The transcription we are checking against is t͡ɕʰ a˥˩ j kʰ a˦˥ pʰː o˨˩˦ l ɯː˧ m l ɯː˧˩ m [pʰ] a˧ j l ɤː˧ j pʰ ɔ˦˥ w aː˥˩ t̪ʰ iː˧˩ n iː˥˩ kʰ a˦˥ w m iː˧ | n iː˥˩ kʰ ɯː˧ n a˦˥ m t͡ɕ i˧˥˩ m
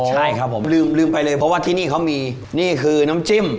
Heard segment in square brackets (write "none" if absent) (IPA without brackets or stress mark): p